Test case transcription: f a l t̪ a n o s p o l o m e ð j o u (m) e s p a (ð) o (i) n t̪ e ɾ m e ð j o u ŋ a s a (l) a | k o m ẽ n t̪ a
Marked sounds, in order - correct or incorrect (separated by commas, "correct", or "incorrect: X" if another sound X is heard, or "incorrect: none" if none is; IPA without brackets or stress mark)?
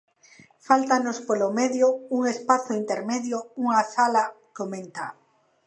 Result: incorrect: ŋ, incorrect: θ, correct, correct